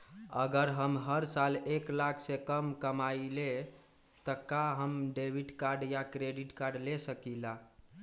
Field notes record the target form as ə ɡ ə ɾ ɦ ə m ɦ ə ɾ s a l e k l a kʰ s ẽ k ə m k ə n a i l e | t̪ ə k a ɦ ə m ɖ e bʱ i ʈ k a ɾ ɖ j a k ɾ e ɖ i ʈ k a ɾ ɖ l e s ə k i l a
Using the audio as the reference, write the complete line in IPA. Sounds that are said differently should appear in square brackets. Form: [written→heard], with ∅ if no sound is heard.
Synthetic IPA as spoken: ə ɡ ə ɾ ɦ ə m ɦ ə ɾ s a l e k l a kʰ s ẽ k ə m k ə [n→m] a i l e | t̪ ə k a ɦ ə m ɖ e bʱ i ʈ k a ɾ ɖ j a k ɾ e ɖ i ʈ k a ɾ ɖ l e s ə k i l a